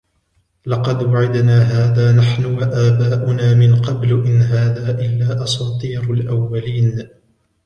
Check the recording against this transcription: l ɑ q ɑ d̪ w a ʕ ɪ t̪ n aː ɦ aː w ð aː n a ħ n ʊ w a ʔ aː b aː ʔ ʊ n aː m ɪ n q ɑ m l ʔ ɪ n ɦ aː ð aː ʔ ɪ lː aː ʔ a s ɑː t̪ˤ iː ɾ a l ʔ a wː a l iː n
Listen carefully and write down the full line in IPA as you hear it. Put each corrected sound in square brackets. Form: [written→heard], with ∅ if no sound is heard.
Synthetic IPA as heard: l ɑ q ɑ d̪ w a ʕ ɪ [t̪→d̪] n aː ɦ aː [w→∅] ð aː n a ħ n ʊ w a ʔ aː b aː ʔ ʊ n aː m ɪ n q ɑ [m→b] l ʔ ɪ n ɦ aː ð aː ʔ ɪ lː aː ʔ [a→ɑ] s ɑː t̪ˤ iː ɾ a l ʔ a wː a l iː n